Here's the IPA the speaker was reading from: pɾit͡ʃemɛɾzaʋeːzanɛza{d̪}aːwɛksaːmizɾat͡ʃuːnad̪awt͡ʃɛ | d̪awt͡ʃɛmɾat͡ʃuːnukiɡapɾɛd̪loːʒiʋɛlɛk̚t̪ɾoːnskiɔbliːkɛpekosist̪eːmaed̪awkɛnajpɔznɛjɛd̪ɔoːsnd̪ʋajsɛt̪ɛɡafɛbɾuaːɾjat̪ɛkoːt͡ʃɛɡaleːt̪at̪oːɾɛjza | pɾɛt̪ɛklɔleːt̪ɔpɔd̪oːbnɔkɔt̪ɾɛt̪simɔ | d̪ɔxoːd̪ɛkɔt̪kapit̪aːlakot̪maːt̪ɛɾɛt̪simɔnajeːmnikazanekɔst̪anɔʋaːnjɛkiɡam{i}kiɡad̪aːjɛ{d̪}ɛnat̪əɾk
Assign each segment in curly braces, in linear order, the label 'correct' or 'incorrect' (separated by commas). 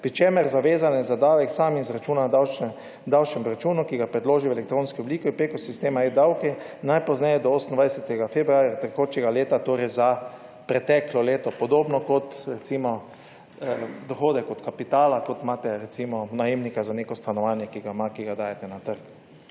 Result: correct, incorrect, incorrect